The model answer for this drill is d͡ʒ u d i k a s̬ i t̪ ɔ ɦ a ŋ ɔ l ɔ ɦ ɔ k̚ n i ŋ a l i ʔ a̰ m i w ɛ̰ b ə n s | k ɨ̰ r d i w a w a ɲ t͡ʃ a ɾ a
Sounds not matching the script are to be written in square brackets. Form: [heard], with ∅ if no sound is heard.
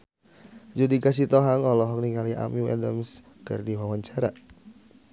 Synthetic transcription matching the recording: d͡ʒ u d i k a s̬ i t̪ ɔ ɦ a ŋ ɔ l ɔ ɦ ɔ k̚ n i ŋ a l i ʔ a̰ m i w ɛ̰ [d] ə [m] s | k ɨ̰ r d i w a w a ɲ t͡ʃ a ɾ a